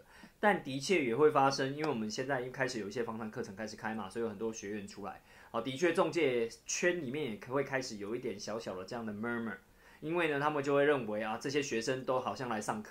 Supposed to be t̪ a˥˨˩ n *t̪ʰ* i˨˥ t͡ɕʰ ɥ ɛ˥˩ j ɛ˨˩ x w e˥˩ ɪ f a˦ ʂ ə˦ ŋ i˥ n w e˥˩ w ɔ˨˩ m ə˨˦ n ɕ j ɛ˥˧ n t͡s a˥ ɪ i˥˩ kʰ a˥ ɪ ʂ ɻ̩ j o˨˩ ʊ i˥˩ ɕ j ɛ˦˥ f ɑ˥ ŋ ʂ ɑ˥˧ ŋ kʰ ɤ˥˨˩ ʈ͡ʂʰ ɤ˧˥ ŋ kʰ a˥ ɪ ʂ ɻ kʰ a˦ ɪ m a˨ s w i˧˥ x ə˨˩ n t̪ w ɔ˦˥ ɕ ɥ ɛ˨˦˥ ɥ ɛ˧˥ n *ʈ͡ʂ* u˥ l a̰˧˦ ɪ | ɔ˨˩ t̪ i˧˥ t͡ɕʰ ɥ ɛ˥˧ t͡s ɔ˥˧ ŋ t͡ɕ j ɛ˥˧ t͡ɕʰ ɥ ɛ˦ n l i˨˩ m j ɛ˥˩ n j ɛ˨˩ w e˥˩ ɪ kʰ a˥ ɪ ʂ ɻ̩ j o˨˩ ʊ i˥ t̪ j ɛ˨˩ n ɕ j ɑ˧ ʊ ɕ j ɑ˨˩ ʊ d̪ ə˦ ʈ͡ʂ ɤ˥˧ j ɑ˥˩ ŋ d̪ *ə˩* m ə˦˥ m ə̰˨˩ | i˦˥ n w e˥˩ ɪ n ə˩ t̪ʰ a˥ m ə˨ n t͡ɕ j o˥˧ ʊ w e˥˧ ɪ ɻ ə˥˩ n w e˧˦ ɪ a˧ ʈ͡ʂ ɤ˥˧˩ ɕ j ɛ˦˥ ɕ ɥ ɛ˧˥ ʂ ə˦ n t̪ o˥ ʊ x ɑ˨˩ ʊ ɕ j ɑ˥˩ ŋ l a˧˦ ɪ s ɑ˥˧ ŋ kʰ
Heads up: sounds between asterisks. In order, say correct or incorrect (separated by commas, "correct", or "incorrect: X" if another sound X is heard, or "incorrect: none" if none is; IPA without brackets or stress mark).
incorrect: t̪, incorrect: ʈ͡ʂʰ, correct